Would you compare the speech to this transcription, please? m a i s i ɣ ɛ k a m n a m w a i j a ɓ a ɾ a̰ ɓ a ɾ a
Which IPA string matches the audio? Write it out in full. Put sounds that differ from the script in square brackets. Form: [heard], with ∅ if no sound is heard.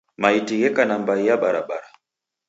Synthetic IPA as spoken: m a i [t] i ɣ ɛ k a [∅] n a m [b] a i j a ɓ a ɾ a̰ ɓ a ɾ a